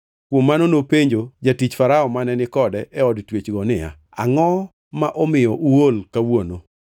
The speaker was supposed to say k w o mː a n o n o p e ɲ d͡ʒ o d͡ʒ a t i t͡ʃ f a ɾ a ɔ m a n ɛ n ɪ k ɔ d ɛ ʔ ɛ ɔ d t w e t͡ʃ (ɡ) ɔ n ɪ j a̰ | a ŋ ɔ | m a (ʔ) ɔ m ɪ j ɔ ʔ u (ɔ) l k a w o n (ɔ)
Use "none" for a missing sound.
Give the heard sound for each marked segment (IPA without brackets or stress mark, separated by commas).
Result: ɡ, ʔ, o, o